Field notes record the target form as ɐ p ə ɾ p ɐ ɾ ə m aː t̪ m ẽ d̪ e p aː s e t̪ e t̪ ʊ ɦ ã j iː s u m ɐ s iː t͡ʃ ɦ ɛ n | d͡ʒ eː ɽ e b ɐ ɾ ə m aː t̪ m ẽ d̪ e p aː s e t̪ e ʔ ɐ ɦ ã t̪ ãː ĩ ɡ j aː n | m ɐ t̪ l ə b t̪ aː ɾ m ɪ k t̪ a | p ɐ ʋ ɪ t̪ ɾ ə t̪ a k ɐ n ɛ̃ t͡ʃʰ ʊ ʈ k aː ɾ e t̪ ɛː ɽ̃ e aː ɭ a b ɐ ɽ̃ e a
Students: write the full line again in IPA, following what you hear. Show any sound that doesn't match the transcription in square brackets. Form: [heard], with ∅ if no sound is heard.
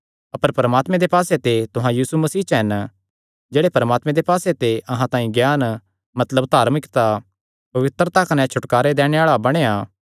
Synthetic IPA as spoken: ɐ p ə ɾ p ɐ ɾ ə m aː t̪ m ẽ d̪ e p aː s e t̪ e t̪ ʊ ɦ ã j iː s u m ɐ s iː t͡ʃ ɦ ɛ n | d͡ʒ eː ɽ e [p] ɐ ɾ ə m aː t̪ m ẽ d̪ e p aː s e t̪ e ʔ ɐ ɦ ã t̪ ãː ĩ ɡ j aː n | m ɐ t̪ l ə b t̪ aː ɾ m ɪ k t̪ a | p ɐ ʋ ɪ t̪ ɾ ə t̪ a k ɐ n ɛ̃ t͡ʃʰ ʊ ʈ k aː ɾ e [d̪] ɛː ɽ̃ e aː ɭ a b ɐ ɽ̃ e a